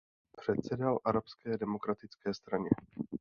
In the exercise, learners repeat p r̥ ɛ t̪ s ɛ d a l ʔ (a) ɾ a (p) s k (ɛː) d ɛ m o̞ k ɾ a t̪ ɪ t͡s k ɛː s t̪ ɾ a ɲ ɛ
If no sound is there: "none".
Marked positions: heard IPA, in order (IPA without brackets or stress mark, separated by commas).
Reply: a, p, ɛː